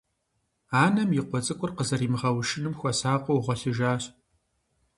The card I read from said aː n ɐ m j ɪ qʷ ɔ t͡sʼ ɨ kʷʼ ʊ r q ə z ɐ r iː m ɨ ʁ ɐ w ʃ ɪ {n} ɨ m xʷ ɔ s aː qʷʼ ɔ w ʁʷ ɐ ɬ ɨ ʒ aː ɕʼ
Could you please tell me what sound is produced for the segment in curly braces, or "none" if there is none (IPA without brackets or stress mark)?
n